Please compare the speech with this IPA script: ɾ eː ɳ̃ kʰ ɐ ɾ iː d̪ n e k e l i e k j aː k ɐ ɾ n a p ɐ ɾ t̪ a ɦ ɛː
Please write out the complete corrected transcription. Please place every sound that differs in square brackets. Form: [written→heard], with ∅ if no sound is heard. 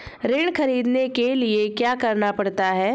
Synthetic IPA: ɾ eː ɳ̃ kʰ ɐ ɾ iː d̪ n e k e l i e k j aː k ɐ ɾ n a p ɐ [ɾ→ɽ] t̪ a ɦ ɛː